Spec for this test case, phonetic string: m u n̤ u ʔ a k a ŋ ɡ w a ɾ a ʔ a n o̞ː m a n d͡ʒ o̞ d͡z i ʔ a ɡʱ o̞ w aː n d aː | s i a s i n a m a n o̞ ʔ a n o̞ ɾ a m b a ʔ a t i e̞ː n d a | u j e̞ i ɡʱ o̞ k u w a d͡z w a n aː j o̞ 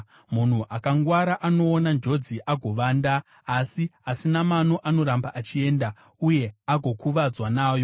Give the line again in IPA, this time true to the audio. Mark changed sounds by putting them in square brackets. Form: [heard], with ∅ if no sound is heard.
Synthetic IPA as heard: m u n̤ u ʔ a k a ŋ ɡ w a ɾ a ʔ a n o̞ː [n] a n d͡ʒ o̞ d͡z i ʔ a ɡʱ o̞ [ʋ] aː n d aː | s i a s i n a m a n o̞ ʔ a n o̞ ɾ a m b a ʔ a [t͡ʃ] i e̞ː n d a | u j e̞ [a] ɡʱ o̞ k u [ʋ] a d͡z w a n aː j o̞